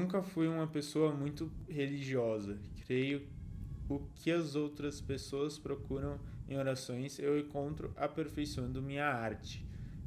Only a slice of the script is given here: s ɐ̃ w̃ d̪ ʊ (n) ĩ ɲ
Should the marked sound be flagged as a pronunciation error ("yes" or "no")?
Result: yes